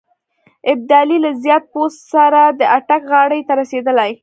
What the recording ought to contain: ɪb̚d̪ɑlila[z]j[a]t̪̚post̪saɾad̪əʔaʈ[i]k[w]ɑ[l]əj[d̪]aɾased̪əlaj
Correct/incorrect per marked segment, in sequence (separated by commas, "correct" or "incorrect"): correct, incorrect, incorrect, incorrect, incorrect, incorrect